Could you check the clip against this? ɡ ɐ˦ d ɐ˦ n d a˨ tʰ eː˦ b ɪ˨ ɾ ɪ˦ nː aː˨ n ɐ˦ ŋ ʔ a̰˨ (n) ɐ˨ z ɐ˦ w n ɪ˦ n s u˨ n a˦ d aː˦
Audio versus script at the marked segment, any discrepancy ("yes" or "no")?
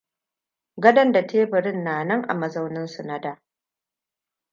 yes